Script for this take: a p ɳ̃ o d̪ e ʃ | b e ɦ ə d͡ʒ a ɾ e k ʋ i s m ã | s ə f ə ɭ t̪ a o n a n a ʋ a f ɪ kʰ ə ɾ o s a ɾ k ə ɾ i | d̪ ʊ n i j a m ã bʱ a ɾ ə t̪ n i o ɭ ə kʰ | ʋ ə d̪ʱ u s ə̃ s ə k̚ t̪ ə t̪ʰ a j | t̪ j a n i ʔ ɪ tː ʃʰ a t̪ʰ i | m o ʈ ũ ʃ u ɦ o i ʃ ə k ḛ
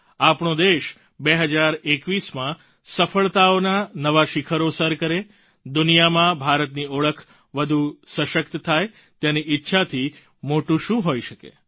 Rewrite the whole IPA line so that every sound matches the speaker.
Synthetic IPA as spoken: a p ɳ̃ o d̪ e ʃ | b e ɦ ə d͡ʒ a ɾ e k ʋ i s m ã | s ə f ə ɭ t̪ a o n a n ə ʋ a ʃ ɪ kʰ ə ɾ o s ə ɾ k ə ɾ e | d̪ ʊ n i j a m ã bʱ a ɾ ə t̪ n i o ɭ ə kʰ | ʋ ə d̪ʱ u s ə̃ ʃ ə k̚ t̪ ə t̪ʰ a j | t̪ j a n i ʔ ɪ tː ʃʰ a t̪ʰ i | m o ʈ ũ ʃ ũ ɦ o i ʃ ə k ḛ